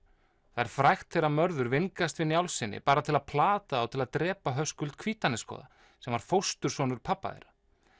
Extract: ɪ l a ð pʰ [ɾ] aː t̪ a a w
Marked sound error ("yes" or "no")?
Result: yes